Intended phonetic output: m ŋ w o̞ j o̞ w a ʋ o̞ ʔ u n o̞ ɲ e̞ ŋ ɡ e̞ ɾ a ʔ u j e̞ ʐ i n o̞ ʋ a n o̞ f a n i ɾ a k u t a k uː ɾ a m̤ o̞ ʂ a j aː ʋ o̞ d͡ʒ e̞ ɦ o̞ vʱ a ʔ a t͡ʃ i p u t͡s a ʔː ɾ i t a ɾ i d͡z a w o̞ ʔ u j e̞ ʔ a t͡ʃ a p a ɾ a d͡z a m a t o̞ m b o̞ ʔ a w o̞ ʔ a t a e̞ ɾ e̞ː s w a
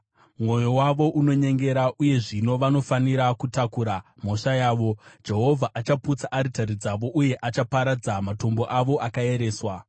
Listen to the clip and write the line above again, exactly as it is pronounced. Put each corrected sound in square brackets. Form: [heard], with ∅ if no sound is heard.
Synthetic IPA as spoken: m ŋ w o̞ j o̞ w a ʋ o̞ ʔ u n o̞ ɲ e̞ ŋ ɡ e̞ ɾ a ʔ u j e̞ ʐ i n o̞ ʋ a n o̞ f a n i ɾ a k u t a k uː ɾ a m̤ o̞ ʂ a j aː ʋ o̞ d͡ʒ e̞ ɦ o̞ vʱ a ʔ a t͡ʃ [a] p u t͡s a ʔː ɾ i t a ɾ i d͡z a [ʋ] o̞ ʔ u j e̞ ʔ a t͡ʃ a p a ɾ a d͡z a m a t o̞ m b o̞ ʔ a [ʋ] o̞ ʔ a [k] a e̞ ɾ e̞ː s w a